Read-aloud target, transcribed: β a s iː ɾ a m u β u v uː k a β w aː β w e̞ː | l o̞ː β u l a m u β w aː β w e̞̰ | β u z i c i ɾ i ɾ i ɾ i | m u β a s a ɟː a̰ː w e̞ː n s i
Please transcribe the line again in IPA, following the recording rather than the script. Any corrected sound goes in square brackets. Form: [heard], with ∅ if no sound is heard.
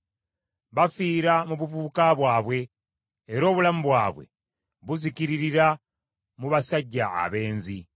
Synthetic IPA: β a [f] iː ɾ a m u β u v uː k a β w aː β w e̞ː | [ɾ] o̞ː β u l a m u β w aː β w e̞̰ | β u z i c i ɾ i ɾ i ɾ [a] | m u β a s a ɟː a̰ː [β] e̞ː n [z] i